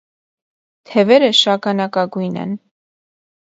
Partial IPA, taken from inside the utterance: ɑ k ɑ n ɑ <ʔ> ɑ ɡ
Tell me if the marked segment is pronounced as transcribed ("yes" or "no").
no